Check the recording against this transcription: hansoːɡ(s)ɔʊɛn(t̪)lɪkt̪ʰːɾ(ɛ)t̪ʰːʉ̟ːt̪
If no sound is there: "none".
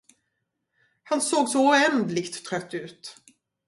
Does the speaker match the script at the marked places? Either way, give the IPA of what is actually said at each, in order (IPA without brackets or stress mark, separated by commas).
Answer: s, d̪, œ